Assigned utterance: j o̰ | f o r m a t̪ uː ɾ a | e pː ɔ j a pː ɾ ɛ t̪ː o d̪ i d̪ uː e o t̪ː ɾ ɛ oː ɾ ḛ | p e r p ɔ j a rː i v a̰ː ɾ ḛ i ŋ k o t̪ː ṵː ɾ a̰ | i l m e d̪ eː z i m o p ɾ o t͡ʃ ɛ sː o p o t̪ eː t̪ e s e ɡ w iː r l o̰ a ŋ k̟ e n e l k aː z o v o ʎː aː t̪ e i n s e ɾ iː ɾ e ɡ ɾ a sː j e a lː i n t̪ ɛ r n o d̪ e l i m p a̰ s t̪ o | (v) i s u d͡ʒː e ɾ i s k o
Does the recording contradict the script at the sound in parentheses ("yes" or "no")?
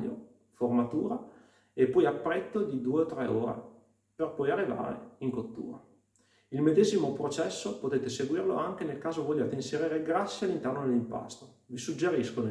no